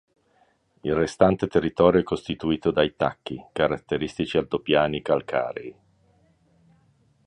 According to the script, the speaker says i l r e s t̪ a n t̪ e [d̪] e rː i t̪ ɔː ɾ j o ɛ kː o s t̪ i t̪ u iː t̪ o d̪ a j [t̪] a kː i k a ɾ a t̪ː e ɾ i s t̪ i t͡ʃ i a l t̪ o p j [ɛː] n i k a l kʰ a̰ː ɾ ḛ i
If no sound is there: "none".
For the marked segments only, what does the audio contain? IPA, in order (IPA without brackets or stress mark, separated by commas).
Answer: t̪, t̪, aː